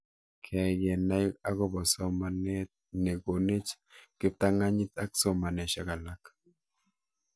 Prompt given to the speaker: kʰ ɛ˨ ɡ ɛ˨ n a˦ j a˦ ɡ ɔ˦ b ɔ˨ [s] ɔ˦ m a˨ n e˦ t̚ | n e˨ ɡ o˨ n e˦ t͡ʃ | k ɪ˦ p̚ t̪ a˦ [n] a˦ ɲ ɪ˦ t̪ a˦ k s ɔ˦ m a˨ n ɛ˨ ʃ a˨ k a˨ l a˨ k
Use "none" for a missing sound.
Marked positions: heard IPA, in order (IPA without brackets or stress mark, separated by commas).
s, ŋ